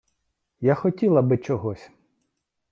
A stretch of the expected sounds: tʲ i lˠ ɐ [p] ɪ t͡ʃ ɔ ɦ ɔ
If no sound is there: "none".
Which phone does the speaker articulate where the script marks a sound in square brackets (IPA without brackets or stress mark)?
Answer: b